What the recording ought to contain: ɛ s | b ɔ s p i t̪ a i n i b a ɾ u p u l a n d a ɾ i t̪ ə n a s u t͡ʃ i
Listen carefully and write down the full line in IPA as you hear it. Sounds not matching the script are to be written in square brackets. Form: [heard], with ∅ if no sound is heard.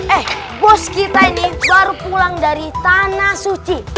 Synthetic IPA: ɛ [h] | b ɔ s [k] i t̪ a i n i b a ɾ u p u l a [ŋ] d a ɾ i t̪ [a] n a s u t͡ʃ i

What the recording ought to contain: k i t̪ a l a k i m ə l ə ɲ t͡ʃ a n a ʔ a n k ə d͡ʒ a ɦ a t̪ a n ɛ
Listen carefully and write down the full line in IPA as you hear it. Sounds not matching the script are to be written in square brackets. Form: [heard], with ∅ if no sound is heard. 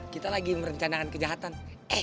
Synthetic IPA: k i t̪ a l a [ɡ] i m ə [ɾ] ə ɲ t͡ʃ a n a [k] a n k ə d͡ʒ a ɦ a t̪ a n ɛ

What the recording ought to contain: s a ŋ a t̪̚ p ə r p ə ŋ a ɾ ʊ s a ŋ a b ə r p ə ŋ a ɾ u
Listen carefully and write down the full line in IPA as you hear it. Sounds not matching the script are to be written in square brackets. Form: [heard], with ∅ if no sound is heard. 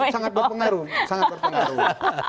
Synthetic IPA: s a ŋ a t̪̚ [b] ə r p ə ŋ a ɾ [u] s a ŋ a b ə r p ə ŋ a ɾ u

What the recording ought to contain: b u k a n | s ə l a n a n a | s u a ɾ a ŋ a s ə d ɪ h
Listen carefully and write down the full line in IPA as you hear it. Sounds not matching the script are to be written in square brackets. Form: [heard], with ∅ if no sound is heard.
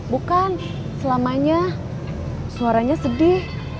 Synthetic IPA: b u k a n | s ə l a [m] a [ɲ] a | s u a ɾ a [ɲ] a s ə d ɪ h

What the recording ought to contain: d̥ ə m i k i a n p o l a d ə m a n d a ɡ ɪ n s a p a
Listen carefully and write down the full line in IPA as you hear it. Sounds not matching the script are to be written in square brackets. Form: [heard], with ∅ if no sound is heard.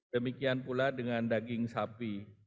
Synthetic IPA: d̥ ə m i k i a n p [u] l a d ə [ŋ] a n d a ɡ ɪ [ŋ] s a p [i]

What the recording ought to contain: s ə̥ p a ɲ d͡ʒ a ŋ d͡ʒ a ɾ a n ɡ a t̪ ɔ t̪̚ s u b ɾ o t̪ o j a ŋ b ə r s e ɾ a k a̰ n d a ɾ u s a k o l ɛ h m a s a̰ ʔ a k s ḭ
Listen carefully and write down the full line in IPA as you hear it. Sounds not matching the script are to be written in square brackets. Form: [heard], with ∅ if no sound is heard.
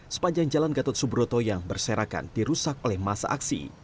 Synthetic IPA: s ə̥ p a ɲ d͡ʒ a ŋ d͡ʒ a [l] a n ɡ a t̪ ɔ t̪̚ s u b ɾ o t̪ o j a ŋ b ə r s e ɾ a k a̰ n d [i] ɾ u s a k o l ɛ h m a s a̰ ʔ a k s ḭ

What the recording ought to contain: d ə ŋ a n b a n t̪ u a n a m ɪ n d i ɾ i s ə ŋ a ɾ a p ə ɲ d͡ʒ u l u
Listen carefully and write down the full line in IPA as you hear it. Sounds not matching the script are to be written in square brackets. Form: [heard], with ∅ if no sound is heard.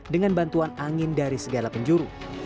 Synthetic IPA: d ə ŋ a n b a n t̪ u a n a [ŋ] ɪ n d [a] ɾ i s ə [ɡ] a [l] a p ə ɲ d͡ʒ u [ɾ] u

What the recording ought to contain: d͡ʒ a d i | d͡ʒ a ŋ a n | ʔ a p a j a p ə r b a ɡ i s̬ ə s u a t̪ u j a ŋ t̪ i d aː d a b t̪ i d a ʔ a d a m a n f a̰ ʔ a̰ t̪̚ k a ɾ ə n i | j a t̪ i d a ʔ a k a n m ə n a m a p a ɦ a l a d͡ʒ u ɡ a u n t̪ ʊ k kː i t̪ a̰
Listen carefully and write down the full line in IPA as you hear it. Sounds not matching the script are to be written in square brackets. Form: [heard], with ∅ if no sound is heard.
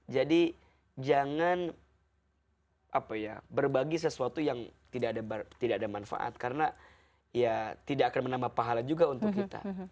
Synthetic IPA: d͡ʒ a d i | d͡ʒ a ŋ a n | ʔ a p a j a [b] ə r b a ɡ i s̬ ə s u a t̪ u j a ŋ t̪ i d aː d a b t̪ i d a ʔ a d a m a n f a̰ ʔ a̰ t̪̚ k a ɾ ə n [a] | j a t̪ i d a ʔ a k a n m ə n a m a p a ɦ a l a d͡ʒ u ɡ a u n t̪ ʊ k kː i t̪ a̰

